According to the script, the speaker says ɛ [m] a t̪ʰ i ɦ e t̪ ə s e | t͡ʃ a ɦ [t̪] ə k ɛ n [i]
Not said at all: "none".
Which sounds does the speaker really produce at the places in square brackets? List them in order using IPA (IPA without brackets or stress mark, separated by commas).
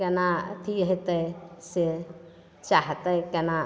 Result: n, t̪, a